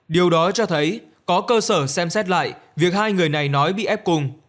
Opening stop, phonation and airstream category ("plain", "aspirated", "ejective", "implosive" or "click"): implosive